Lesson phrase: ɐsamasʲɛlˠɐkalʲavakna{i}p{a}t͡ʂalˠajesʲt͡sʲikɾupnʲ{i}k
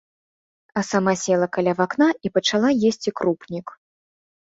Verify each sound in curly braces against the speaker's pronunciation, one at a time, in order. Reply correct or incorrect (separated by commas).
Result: correct, incorrect, correct